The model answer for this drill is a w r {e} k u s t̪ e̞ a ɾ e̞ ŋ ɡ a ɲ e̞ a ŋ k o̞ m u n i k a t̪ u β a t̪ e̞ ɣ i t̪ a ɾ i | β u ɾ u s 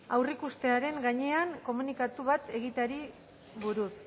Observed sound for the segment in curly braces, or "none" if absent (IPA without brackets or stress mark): i